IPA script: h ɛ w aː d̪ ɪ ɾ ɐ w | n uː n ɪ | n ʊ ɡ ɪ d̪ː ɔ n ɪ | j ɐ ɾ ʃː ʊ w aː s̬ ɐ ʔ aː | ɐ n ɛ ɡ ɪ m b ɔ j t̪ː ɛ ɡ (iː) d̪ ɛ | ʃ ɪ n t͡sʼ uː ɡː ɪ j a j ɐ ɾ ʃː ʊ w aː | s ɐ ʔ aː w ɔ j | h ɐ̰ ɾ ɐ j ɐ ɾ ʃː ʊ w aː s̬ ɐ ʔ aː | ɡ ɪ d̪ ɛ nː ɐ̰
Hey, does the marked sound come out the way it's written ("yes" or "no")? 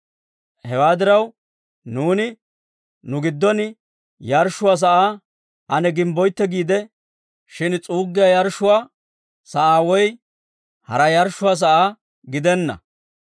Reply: yes